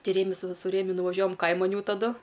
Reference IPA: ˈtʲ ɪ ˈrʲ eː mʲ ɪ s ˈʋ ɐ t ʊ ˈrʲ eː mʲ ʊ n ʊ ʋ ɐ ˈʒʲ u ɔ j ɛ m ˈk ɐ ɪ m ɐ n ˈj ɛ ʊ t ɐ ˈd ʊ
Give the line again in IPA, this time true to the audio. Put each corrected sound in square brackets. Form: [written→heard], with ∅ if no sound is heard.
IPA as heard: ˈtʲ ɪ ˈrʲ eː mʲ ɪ s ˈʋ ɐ [t→s] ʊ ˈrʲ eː mʲ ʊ n ʊ ʋ ɐ ˈʒʲ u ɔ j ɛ m ˈk ɐ ɪ m ɐ n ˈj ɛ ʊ t ɐ ˈd ʊ